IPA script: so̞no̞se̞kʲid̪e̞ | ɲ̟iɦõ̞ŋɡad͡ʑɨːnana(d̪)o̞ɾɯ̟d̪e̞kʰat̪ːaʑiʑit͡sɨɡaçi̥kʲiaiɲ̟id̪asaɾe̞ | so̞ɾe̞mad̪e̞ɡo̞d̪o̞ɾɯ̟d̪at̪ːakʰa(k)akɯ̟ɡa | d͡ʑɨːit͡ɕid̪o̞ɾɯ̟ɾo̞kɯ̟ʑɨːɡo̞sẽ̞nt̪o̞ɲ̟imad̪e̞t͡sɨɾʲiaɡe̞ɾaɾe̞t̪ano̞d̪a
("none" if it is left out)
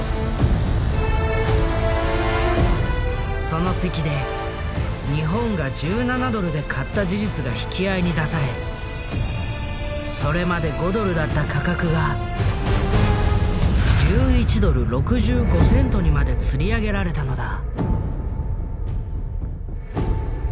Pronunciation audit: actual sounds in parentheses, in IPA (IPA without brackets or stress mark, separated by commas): d̪, k